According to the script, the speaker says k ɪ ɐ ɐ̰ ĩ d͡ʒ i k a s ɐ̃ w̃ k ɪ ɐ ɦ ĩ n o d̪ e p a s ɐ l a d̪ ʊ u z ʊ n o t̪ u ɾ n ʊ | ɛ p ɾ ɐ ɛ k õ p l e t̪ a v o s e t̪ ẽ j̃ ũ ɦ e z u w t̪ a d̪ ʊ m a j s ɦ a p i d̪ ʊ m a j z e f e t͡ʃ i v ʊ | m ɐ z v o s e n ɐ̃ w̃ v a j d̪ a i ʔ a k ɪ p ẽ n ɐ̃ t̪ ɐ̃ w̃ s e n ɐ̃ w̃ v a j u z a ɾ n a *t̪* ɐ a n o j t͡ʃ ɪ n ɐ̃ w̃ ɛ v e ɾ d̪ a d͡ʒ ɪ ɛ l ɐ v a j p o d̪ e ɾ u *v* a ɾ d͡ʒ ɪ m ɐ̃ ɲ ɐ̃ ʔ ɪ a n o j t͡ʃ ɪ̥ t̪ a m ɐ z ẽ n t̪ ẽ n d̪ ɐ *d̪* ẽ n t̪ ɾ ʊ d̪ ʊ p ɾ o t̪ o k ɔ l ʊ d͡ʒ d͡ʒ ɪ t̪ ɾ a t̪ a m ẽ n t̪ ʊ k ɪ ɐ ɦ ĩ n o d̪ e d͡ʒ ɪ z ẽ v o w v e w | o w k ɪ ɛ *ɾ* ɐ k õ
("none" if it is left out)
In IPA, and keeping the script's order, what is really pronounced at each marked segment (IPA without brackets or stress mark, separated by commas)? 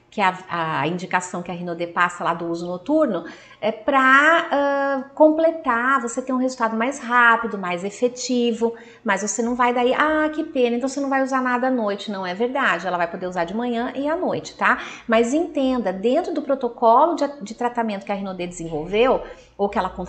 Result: d̪, z, d̪, l